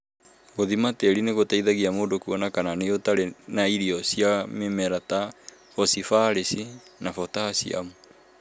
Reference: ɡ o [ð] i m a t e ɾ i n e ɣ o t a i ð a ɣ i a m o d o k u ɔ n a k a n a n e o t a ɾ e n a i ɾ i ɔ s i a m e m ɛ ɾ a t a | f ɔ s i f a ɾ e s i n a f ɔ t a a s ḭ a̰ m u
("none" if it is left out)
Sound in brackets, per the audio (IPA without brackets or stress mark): ð